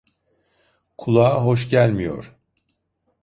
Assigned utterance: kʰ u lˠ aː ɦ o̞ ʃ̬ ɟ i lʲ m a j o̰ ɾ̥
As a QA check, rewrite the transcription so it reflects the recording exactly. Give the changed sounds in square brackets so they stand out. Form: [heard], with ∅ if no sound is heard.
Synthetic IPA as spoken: kʰ u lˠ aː ɦ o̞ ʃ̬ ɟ [æ] lʲ m [i] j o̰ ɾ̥